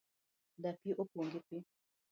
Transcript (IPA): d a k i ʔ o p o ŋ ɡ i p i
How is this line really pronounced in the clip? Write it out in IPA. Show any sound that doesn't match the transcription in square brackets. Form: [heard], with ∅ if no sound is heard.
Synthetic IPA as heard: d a [p] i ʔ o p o ŋ ɡ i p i